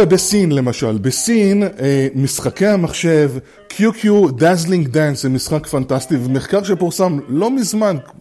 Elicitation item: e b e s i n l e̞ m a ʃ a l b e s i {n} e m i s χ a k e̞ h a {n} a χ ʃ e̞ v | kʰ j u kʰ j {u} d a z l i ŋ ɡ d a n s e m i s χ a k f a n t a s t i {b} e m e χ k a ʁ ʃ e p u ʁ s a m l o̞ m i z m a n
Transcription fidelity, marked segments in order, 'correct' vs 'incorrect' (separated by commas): correct, incorrect, correct, incorrect